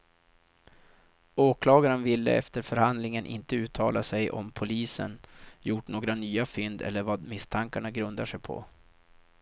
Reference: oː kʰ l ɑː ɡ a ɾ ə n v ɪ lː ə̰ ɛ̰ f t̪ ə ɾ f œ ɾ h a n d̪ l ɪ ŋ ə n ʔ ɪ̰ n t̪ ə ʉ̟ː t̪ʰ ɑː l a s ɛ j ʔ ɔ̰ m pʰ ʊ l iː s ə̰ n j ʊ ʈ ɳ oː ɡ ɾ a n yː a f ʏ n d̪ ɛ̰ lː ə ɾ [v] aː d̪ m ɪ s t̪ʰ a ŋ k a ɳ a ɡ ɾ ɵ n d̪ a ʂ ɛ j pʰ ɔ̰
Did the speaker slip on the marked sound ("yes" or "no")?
no